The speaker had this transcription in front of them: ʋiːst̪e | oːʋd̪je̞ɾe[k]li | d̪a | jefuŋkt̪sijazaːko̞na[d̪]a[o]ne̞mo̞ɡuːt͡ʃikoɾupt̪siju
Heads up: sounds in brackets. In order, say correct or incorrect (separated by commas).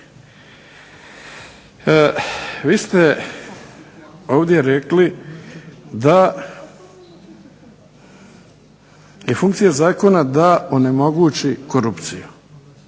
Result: correct, correct, correct